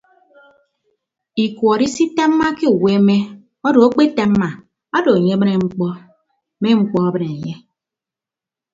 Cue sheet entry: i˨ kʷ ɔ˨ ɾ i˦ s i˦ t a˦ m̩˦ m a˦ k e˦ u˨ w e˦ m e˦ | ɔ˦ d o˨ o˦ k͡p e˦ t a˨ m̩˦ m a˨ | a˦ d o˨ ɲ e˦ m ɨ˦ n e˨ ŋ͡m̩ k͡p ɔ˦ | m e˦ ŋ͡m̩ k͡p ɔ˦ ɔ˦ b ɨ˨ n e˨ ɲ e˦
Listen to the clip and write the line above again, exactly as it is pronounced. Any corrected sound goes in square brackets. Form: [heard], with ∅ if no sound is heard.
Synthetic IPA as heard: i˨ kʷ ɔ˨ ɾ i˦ s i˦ t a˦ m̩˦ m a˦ k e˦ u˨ w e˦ m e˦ | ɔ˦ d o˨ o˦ k͡p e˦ t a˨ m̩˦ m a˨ | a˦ d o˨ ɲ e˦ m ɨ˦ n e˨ ŋ͡m̩ k͡p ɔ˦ | m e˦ ŋ͡m̩ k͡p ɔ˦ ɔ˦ b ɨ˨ n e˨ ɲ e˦